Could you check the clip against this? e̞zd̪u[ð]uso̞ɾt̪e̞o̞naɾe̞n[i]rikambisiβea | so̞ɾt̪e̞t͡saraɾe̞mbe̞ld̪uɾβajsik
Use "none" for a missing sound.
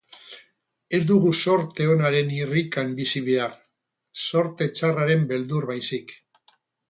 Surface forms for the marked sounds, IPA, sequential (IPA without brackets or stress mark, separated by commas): ɣ, i